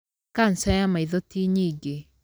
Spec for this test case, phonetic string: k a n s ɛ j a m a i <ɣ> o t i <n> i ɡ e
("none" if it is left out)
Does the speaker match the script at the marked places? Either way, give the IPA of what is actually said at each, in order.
ð, ɲ

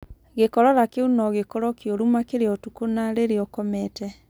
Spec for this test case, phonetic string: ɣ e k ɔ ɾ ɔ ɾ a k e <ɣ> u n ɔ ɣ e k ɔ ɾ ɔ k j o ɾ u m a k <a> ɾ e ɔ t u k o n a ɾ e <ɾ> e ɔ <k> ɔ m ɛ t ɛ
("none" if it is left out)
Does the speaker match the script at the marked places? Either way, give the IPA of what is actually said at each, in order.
none, e, ɾ, k

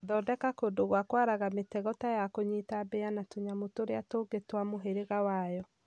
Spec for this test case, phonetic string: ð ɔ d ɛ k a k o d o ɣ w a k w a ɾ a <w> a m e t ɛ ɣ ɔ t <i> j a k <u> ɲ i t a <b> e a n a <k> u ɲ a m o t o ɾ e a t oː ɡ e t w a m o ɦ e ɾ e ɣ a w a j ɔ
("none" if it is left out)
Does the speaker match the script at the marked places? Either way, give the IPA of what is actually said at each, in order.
ɣ, a, o, b, t

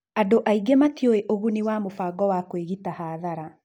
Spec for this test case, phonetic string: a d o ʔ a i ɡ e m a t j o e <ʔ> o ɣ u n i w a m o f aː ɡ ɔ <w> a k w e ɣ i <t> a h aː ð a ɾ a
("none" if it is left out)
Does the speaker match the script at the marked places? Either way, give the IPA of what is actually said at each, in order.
ʔ, w, t

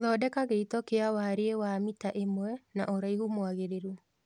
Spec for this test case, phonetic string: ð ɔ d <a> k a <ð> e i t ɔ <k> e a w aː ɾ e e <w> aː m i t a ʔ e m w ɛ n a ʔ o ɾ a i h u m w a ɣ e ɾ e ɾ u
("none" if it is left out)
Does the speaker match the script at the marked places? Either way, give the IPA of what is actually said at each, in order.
ɛ, ɣ, k, w

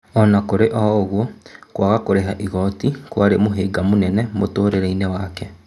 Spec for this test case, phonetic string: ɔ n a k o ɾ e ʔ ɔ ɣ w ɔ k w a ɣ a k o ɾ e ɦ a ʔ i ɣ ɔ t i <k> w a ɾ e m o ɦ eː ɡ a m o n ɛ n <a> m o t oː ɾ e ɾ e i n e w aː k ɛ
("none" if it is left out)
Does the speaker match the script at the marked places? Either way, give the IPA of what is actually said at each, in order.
k, ɛ

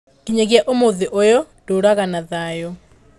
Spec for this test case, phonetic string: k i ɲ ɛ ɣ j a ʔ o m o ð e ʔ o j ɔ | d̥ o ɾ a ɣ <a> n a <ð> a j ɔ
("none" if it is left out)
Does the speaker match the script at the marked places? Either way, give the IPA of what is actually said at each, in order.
a, ð

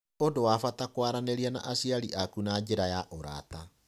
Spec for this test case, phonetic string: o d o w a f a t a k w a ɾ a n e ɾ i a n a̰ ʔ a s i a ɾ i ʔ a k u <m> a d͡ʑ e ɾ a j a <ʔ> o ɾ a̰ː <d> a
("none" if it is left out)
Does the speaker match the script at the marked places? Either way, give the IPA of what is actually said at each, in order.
n, ʔ, t

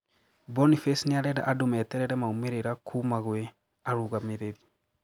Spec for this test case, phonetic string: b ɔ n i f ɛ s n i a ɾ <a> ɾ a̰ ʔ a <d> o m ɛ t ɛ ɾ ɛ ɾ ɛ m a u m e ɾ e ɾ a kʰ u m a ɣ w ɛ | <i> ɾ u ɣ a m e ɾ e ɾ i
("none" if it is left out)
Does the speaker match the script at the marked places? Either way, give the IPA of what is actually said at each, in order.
ɛ, d, a

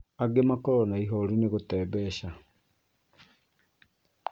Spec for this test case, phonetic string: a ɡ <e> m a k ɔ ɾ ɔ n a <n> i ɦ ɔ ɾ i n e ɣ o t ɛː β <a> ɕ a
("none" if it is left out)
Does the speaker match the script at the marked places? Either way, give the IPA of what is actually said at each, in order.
e, none, ɛ

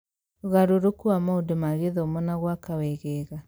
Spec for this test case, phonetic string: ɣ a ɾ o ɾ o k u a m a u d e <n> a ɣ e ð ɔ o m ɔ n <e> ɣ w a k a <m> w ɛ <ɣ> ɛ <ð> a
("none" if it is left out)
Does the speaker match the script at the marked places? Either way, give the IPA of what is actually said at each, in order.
m, a, none, ɣ, ɣ

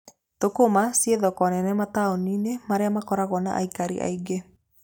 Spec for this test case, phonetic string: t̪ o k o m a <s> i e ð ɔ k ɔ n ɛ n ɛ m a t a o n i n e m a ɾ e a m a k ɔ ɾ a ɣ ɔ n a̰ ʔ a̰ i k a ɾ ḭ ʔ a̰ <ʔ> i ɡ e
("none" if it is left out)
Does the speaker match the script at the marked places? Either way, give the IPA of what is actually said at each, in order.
s, none

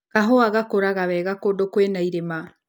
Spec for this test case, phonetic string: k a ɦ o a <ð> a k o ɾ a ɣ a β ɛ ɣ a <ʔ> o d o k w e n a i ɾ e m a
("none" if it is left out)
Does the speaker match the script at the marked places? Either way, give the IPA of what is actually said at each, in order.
ɣ, k

